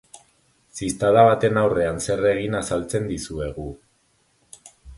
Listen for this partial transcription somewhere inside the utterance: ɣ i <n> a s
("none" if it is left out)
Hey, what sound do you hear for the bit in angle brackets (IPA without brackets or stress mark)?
n